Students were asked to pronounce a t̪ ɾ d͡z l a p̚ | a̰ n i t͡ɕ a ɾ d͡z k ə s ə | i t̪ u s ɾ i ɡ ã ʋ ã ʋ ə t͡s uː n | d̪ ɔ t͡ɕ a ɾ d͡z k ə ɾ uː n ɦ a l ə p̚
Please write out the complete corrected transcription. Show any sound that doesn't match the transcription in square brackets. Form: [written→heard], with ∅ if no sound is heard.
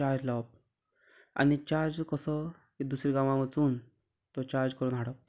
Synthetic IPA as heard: a [t̪→∅] ɾ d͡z l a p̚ | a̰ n i t͡ɕ a ɾ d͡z k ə s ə | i [t̪→d̪] u s ɾ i ɡ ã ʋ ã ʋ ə t͡s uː n | [d̪→t̪] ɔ t͡ɕ a ɾ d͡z k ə ɾ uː n ɦ a [l→ɽ] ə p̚